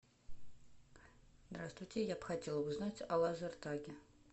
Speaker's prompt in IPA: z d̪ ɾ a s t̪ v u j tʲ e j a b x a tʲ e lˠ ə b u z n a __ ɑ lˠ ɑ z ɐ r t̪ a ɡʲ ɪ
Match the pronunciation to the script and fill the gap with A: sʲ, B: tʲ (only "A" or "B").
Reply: B